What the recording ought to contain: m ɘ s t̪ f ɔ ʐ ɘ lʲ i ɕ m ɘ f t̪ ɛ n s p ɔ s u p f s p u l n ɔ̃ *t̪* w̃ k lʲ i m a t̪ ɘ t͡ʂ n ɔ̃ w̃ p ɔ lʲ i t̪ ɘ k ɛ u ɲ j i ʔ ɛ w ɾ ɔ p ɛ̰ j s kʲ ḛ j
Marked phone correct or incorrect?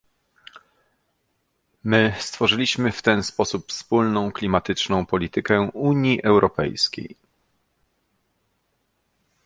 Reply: incorrect